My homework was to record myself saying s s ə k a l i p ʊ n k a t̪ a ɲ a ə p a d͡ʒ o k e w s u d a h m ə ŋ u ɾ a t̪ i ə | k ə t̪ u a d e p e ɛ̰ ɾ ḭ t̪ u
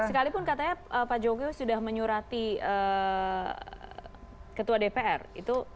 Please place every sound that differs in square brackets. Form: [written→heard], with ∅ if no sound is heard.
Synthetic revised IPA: s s ə k a l i p ʊ n k a t̪ a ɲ a ə p a d͡ʒ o k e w s u d a h m ə [ŋ→ɲ] u ɾ a t̪ i ə | k ə t̪ u a d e p e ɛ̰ [ɾ→r] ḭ t̪ u